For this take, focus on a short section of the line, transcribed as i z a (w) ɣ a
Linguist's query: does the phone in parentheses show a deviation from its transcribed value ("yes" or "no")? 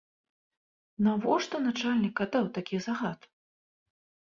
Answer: yes